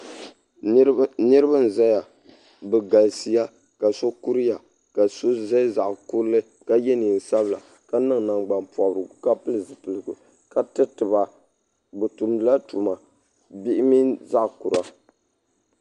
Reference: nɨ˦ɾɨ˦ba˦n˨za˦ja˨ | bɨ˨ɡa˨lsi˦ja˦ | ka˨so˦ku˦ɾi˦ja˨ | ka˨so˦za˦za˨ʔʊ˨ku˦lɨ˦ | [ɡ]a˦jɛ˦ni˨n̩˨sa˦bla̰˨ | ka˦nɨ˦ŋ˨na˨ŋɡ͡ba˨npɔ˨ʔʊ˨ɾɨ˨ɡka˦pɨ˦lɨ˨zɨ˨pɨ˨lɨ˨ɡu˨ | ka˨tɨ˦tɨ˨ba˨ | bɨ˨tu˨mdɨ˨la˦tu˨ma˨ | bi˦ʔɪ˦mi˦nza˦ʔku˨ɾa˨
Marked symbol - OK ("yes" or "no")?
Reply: no